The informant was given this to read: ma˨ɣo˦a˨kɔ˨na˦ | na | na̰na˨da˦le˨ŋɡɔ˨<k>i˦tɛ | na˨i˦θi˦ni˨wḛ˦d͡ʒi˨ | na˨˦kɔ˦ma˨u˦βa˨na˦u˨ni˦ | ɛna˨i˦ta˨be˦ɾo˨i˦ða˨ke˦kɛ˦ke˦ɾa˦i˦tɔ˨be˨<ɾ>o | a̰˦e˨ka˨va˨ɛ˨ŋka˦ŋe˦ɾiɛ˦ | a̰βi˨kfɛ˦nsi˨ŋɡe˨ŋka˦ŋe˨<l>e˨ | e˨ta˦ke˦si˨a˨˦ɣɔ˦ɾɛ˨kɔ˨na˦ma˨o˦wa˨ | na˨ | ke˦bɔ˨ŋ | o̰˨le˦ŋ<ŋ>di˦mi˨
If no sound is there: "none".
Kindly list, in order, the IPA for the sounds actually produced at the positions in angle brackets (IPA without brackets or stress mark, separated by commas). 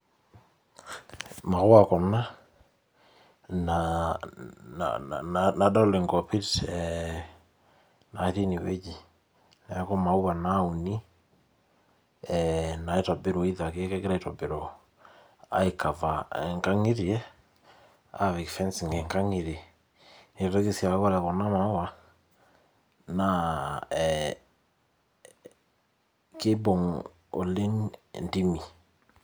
p, ɾ, ɾ, n